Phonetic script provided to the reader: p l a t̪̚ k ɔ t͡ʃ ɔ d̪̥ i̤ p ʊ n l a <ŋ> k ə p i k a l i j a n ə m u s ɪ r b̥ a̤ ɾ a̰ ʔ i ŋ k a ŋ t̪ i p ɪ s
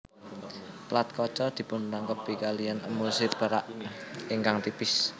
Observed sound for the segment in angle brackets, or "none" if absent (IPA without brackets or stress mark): ŋ